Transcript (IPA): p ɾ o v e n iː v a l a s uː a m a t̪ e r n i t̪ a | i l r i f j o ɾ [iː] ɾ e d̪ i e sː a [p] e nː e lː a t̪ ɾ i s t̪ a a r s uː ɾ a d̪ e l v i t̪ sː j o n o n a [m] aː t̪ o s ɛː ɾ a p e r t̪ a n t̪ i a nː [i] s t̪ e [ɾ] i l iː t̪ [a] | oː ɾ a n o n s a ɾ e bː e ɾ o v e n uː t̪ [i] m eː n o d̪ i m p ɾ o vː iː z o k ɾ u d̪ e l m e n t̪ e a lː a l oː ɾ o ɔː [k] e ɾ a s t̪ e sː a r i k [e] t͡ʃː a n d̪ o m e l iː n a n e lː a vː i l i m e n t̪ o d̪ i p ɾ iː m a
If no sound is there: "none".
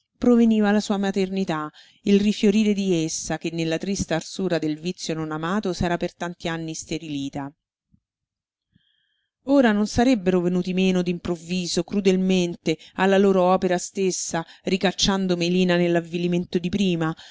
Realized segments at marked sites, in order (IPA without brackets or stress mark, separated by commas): iː, k, m, i, ɾ, a, i, p, a